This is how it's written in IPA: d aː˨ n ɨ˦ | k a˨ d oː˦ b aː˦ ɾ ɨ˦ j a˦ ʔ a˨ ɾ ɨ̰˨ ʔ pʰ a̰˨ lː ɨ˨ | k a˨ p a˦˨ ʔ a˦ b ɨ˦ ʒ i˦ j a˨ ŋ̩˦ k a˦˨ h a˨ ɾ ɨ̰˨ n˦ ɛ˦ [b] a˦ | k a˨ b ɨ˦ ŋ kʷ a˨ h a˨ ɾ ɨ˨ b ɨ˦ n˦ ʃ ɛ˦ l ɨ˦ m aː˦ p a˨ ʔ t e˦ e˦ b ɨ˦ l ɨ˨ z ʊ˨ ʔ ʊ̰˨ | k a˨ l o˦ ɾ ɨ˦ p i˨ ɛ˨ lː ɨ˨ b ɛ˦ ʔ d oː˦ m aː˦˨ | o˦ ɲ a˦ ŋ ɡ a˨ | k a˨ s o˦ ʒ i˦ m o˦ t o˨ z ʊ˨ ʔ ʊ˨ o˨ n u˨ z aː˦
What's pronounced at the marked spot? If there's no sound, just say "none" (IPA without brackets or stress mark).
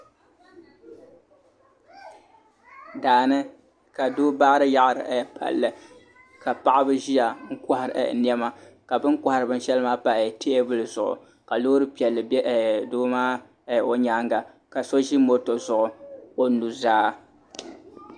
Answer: m